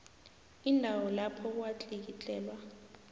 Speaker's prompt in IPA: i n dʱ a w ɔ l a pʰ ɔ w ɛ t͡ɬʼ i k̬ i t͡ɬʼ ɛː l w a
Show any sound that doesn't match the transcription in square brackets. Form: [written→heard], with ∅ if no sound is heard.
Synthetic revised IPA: i n dʱ a w ɔ l a pʰ ɔ w [ɛ→a] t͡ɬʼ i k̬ i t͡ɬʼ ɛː l w a